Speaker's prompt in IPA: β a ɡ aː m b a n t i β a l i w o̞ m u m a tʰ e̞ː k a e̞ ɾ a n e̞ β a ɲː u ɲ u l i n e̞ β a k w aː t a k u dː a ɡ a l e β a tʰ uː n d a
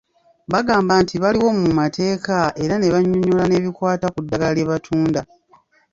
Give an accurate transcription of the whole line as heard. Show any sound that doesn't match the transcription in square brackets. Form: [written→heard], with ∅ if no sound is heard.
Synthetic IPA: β a ɡ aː m b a n t i β a l i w o̞ m u m a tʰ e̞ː k a e̞ ɾ a n e̞ β a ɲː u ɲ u l [i→a] n e̞ β [a→i] k w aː t a k u dː a ɡ a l e β a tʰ uː n d a